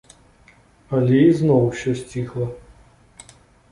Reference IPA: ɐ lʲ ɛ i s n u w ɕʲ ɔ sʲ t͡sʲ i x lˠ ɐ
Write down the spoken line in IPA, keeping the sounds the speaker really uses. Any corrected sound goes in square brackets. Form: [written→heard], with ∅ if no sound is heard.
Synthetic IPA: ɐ lʲ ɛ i [s→z] n [u→ɔ] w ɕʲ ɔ sʲ t͡sʲ i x lˠ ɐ